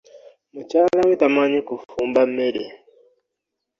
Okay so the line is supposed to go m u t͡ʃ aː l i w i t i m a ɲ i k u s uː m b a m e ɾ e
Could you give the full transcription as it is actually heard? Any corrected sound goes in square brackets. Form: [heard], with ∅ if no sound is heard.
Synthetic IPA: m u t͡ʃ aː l [a] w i t [a] m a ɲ i k u [f] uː m b a m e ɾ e